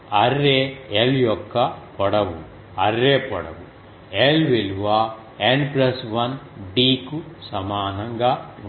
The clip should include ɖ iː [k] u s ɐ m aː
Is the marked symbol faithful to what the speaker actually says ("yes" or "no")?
yes